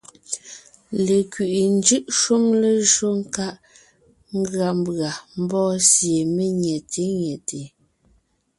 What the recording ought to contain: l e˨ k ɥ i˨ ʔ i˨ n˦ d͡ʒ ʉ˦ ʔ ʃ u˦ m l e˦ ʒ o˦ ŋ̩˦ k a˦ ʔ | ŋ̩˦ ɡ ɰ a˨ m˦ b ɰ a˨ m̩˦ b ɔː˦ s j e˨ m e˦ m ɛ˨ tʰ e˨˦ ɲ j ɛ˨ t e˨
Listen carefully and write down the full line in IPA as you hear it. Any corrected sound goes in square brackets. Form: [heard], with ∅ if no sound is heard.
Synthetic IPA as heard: l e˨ k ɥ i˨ ʔ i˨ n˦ d͡ʒ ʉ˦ ʔ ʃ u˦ m l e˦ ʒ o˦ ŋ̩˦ k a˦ ʔ | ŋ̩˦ ɡ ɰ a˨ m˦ b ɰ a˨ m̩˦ b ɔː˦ s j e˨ m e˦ [ɲ] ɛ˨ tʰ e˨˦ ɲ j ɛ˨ t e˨